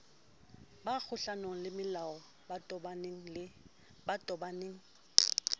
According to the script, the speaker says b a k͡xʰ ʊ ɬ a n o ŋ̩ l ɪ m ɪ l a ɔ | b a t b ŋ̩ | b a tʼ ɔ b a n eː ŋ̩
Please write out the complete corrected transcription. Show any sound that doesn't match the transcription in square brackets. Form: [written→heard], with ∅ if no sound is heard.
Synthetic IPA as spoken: b a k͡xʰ ʊ ɬ a n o ŋ̩ l ɪ m ɪ l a ɔ | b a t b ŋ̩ | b a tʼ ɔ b a n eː ŋ̩